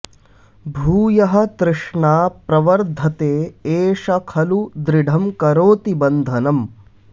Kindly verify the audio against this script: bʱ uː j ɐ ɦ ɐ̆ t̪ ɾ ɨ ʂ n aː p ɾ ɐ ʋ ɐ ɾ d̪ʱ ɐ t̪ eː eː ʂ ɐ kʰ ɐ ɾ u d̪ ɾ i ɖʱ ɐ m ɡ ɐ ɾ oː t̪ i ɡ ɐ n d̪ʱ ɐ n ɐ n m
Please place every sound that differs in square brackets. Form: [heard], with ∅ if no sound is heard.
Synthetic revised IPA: bʱ uː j ɐ ɦ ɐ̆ t̪ ɾ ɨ ʂ [ɳ] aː p ɾ ɐ ʋ ɐ ɾ d̪ʱ ɐ t̪ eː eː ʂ ɐ kʰ ɐ [l] u d̪ ɾ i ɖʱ ɐ m [k] ɐ ɾ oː t̪ i [b] ɐ n d̪ʱ ɐ n ɐ [∅] m